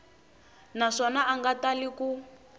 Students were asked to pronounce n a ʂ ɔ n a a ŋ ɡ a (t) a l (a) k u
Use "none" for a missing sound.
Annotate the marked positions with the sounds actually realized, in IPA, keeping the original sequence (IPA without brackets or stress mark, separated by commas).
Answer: t, i